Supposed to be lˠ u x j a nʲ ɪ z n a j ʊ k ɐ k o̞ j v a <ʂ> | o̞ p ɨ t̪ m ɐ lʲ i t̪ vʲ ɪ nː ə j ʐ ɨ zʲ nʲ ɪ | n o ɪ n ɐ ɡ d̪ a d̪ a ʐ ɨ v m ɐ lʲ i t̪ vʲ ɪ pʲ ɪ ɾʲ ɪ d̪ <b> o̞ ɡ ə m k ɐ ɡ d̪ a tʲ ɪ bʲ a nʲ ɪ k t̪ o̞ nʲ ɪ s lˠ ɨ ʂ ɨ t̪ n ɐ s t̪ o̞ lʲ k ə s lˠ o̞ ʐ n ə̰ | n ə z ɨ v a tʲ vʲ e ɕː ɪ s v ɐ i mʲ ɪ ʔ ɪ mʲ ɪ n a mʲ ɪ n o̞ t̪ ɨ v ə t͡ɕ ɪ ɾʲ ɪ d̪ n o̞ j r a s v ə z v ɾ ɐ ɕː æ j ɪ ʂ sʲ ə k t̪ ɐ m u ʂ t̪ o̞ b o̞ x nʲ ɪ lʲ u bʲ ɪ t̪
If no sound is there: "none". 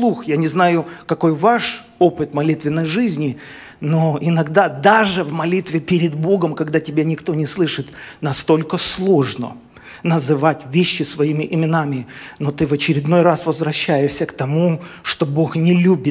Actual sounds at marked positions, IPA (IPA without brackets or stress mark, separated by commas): ʂ, b